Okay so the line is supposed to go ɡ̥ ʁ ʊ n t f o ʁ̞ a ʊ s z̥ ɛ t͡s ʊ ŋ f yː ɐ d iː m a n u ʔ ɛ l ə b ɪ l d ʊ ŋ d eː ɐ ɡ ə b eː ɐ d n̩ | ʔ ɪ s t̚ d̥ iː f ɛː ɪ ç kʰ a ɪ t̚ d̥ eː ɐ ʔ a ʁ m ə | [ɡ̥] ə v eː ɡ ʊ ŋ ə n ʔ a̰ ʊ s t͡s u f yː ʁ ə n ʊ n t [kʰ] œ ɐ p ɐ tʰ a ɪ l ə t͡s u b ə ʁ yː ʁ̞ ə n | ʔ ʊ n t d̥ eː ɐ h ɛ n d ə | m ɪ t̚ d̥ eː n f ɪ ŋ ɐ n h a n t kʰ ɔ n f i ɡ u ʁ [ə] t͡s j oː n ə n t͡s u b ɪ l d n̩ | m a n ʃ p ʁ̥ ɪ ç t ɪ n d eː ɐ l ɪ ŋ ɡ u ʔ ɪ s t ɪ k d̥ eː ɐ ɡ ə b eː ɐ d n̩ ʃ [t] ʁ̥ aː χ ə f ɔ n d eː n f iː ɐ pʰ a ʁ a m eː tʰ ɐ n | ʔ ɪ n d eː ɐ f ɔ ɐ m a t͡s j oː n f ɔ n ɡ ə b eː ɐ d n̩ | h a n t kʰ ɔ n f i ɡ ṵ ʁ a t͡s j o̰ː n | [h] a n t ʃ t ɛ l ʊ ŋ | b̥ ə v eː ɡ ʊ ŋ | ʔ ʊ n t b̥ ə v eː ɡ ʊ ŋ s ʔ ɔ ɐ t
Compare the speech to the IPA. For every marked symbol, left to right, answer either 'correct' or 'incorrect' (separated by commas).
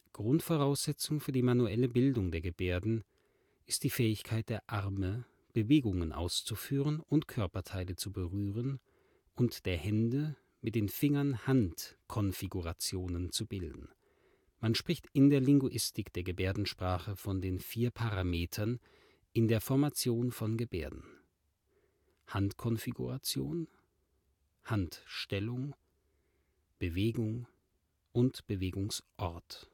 incorrect, correct, incorrect, incorrect, correct